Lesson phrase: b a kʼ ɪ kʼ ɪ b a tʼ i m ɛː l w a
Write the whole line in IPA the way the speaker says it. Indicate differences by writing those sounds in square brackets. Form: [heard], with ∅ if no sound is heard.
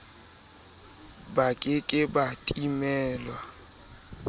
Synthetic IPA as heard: b a kʼ ɪ kʼ ɪ b a tʼ i m ɛː l w a

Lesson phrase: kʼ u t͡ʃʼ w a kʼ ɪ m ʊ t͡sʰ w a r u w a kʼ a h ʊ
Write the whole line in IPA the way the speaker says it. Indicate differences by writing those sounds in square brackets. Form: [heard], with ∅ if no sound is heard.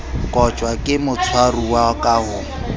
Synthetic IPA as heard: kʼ [ɔ] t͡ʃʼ w a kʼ ɪ m ʊ t͡sʰ w a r u w a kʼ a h ʊ

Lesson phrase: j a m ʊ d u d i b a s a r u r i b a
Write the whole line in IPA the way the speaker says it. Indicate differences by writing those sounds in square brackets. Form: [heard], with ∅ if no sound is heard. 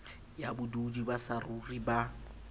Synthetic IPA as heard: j a [b] ʊ d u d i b a s a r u r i b a

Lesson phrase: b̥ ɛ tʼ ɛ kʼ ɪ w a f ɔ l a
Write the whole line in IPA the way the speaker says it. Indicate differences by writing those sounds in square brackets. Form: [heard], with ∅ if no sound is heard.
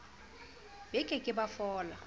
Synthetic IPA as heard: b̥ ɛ [kʼ] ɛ kʼ ɪ [b] a f [ɔː] l a

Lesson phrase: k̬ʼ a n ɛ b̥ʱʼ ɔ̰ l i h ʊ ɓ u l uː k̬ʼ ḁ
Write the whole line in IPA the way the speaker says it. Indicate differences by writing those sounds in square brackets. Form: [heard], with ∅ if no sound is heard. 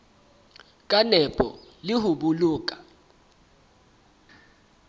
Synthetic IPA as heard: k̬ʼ a n ɛ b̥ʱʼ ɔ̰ l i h [u] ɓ u l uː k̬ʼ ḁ

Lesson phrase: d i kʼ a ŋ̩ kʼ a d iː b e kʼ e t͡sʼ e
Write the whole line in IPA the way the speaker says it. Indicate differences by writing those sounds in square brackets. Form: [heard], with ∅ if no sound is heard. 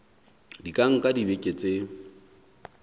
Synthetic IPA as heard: d i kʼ a ŋ̩ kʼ a d [i] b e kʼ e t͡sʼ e

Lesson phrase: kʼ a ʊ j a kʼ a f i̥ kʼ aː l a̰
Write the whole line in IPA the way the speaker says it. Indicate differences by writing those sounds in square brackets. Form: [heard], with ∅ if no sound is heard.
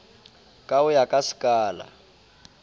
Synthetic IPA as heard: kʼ a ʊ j a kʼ a [s] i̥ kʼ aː l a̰

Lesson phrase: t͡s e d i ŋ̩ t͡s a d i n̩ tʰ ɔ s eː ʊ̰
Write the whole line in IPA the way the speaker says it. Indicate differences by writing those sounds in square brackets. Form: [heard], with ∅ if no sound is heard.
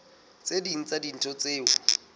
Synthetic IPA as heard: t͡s e d i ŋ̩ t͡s a d i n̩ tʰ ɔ [t͡s] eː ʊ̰

